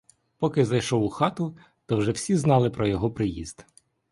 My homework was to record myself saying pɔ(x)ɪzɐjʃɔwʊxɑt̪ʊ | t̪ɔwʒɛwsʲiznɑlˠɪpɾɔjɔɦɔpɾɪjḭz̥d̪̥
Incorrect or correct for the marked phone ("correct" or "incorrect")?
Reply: incorrect